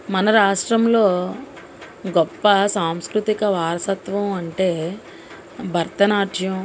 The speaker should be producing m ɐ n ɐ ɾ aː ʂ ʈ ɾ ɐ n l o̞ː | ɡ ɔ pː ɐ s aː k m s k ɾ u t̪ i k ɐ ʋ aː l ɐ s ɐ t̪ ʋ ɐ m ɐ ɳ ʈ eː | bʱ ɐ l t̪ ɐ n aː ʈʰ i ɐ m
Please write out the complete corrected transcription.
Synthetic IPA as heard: m ɐ n ɐ ɾ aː ʂ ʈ ɾ ɐ m l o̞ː | ɡ ɔ pː ɐ s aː m s k ɾ u t̪ i k ɐ ʋ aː ɾ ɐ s ɐ t̪ ʋ ɐ m ɐ ɳ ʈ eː | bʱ ɐ ɾ t̪ ɐ n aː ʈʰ j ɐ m

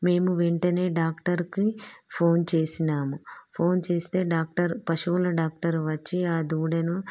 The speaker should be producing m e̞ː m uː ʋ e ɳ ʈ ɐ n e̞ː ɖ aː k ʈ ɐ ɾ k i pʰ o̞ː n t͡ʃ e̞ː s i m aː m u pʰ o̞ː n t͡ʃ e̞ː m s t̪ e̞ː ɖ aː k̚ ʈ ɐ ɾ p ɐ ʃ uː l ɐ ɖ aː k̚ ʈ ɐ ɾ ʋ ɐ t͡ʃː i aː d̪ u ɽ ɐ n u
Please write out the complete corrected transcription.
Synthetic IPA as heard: m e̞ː m u ʋ e ɳ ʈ ɐ n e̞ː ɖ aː k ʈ ɐ ɾ k i pʰ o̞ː n t͡ʃ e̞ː s i n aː m u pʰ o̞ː n t͡ʃ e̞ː s t̪ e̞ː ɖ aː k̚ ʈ ɐ ɾ p ɐ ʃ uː l ɐ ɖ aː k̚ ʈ ɐ ɾ ʋ ɐ t͡ʃː i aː d̪ uː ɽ ɐ n u

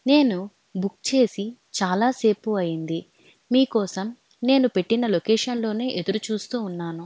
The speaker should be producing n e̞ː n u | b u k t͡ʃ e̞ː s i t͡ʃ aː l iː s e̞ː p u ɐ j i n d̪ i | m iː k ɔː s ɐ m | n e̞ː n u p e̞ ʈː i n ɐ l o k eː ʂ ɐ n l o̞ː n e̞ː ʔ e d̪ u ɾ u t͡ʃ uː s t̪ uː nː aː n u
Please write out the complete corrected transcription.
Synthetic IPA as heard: n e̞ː n u | b u k t͡ʃ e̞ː s i t͡ʃ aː l aː s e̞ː p u ɐ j i n d̪ i | m iː k ɔː s ɐ m | n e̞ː n u p e̞ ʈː i n ɐ l o k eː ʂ ɐ n l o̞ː n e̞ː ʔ e d̪ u ɾ u t͡ʃ uː s t̪ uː nː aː n u

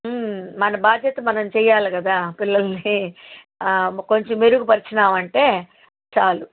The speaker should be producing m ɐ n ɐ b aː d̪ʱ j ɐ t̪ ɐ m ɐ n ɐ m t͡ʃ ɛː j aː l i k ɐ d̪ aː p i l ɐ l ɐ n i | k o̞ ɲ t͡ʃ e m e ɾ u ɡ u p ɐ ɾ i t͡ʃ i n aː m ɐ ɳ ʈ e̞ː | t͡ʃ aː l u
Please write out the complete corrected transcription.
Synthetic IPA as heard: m ɐ n ɐ b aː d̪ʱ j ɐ t̪ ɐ m ɐ n ɐ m t͡ʃ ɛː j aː l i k ɐ d̪ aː p i lː ɐ l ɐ n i | k o̞ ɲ t͡ʃ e m e ɾ u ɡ u p ɐ ɾ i t͡ʃ i n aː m ɐ ɳ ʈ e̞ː | t͡ʃ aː l u

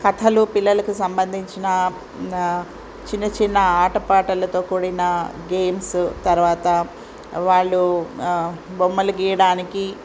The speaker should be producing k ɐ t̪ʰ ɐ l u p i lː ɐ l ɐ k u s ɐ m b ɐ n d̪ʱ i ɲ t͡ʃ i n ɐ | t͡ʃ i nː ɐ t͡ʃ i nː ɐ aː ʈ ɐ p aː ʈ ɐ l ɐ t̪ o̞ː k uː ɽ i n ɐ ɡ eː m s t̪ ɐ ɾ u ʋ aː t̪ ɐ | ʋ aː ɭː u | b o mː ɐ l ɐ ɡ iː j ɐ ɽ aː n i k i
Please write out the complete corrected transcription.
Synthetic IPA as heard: k ɐ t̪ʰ ɐ l u p i lː ɐ l ɐ k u s ɐ m b ɐ n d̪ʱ i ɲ t͡ʃ i n ɐ | t͡ʃ i nː ɐ t͡ʃ i nː ɐ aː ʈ ɐ p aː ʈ ɐ l ɐ t̪ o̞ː k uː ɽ i n ɐ ɡ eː m s t̪ ɐ ɾ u ʋ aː t̪ ɐ | ʋ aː ɭː u | b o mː ɐ l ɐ ɡ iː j ɐ ɽ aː n i k i

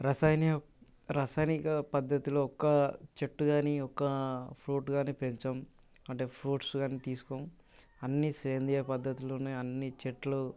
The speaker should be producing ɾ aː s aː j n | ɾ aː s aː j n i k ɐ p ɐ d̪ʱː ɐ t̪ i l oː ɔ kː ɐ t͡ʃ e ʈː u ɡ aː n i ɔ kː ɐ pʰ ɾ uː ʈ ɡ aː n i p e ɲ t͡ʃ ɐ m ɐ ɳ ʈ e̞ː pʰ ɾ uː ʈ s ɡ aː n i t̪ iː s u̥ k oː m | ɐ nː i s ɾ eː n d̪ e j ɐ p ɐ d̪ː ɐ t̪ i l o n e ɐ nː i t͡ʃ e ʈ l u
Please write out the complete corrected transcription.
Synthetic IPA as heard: ɾ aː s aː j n | ɾ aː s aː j n i k ɐ p ɐ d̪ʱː ɐ t̪ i l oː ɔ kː ɐ t͡ʃ e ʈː u ɡ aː n i ɔ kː ɐ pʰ ɾ uː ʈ ɡ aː n i p e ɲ t͡ʃ ɐ m ɐ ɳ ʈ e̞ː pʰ ɾ uː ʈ s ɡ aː n i t̪ iː s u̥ k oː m | ɐ nː i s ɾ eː n d̪ i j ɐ p ɐ d̪ː ɐ t̪ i l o n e ɐ nː i t͡ʃ e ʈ l u

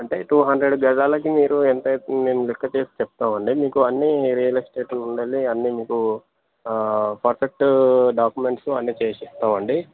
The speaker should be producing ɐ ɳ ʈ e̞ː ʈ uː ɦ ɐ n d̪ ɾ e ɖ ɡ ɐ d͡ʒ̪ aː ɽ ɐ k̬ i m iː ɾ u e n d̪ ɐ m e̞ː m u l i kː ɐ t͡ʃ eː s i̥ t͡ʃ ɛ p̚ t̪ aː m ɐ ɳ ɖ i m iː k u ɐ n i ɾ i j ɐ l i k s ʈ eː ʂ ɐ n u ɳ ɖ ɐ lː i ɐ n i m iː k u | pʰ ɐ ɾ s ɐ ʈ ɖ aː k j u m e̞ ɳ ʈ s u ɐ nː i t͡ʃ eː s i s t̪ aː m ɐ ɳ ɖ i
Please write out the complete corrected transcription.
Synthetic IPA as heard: ɐ ɳ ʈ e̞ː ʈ uː ɦ ɐ n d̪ ɾ e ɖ ɡ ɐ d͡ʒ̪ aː l ɐ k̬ i m iː ɾ u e n t̪ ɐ m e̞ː m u l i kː ɐ t͡ʃ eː s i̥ t͡ʃ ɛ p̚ t̪ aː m ɐ ɳ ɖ i m iː k u ɐ nː i ɾ i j ɐ l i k s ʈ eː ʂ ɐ n u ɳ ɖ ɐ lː i ɐ nː i m iː k u | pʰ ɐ ɾ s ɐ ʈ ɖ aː k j u m e̞ ɳ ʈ s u ɐ nː i t͡ʃ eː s i s t̪ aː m ɐ ɳ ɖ i

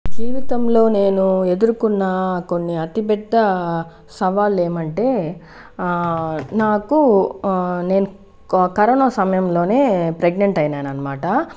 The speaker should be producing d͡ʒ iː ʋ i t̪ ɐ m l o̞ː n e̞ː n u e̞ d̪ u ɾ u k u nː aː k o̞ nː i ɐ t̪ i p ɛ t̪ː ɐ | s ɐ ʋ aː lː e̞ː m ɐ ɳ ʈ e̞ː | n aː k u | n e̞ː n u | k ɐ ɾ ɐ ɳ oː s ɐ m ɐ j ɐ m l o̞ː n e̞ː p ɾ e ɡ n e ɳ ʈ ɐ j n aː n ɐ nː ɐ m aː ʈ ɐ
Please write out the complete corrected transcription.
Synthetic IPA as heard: d͡ʒ iː ʋ i t̪ ɐ m l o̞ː n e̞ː n u e̞ d̪ u ɾ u k u nː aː k o̞ nː i ɐ t̪ i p ɛ d̪ː ɐ | s ɐ ʋ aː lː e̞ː m ɐ ɳ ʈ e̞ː | n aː k u | n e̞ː n u | k ɐ ɾ ɐ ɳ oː s ɐ m ɐ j ɐ m l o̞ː n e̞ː p ɾ e ɡ n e ɳ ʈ ɐ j n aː n ɐ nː ɐ m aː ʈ ɐ

